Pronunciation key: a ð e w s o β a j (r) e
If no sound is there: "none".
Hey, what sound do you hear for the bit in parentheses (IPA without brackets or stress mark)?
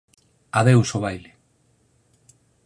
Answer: l